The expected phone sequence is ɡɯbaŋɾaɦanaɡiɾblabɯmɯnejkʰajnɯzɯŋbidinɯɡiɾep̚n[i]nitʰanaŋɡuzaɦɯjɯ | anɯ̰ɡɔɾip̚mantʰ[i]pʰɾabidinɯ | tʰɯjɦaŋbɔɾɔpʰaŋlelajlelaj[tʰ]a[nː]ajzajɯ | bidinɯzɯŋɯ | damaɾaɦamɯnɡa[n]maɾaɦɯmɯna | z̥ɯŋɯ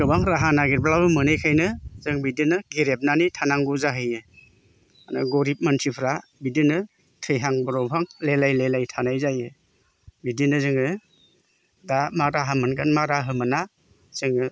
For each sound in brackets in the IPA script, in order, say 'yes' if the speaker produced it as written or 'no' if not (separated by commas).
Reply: no, yes, yes, no, yes